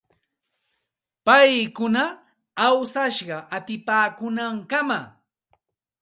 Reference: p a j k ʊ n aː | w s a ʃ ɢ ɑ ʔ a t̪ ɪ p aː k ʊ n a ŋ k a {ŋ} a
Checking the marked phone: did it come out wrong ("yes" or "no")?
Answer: yes